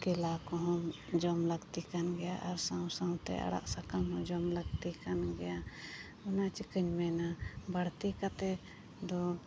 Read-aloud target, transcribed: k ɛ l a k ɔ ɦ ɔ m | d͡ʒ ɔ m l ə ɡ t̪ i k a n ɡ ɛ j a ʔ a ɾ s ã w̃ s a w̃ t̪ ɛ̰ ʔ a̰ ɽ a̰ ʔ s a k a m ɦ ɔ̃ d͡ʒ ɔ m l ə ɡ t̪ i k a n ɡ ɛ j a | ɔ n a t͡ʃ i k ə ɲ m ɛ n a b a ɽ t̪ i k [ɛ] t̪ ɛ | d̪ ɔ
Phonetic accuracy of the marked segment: incorrect: a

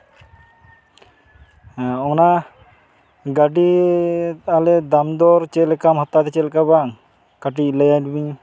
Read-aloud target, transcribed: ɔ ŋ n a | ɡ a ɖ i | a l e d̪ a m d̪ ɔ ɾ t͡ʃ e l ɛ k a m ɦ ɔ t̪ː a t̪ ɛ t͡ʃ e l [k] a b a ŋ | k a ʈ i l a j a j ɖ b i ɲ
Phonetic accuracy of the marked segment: correct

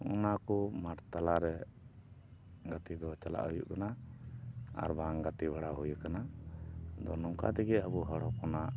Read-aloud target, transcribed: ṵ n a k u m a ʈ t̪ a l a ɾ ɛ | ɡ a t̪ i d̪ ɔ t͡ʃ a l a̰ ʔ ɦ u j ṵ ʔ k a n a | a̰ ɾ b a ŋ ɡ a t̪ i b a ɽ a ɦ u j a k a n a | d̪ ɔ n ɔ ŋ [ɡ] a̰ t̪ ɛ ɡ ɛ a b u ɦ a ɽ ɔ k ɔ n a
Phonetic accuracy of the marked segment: incorrect: k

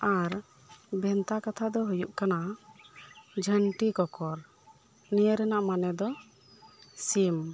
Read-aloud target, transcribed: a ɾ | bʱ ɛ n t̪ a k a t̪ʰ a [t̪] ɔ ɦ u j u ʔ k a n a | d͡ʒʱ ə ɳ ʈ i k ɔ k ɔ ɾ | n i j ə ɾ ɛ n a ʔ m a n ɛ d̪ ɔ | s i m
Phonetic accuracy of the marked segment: incorrect: d̪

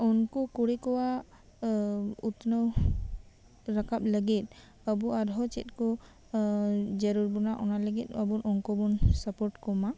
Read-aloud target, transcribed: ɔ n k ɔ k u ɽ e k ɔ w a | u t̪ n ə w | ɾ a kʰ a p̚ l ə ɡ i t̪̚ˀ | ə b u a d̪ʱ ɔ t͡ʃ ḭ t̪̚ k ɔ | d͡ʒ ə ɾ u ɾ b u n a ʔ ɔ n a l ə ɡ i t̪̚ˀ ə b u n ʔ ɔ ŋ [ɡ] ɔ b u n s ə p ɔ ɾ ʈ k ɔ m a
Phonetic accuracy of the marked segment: incorrect: k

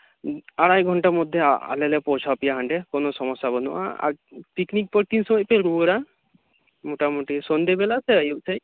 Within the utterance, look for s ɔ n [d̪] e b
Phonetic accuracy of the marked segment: correct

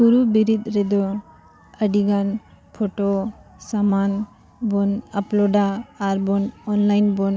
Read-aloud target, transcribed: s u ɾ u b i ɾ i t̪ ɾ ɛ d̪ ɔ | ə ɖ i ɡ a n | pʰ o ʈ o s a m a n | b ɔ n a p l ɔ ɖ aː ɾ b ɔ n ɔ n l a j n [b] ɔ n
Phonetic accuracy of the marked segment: correct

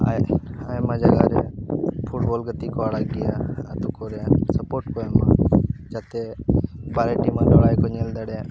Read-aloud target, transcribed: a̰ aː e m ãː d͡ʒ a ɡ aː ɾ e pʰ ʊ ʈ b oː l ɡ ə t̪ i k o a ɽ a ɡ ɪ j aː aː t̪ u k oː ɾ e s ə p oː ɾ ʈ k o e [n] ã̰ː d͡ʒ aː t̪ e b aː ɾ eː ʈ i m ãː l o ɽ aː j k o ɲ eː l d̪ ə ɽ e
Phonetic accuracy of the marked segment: incorrect: m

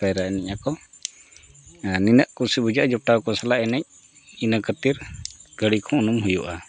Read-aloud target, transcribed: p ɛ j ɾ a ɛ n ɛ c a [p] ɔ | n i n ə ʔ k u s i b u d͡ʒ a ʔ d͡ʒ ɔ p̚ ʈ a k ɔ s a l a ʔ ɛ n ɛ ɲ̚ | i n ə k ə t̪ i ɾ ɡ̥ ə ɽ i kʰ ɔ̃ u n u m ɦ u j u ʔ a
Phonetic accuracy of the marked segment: incorrect: k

